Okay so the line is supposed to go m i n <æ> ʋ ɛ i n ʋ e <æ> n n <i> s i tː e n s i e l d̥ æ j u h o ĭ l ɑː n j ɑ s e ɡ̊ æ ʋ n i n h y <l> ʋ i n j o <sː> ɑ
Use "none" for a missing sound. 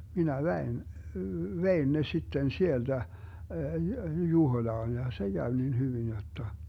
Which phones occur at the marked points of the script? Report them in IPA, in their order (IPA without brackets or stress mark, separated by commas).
æ, i, e, none, tː